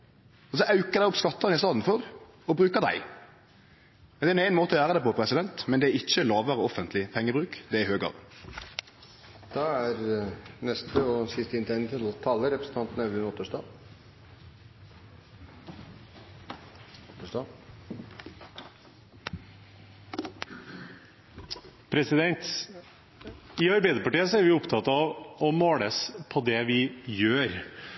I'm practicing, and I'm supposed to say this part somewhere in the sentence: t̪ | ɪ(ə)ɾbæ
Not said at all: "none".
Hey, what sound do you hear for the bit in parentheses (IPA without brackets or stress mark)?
ɑ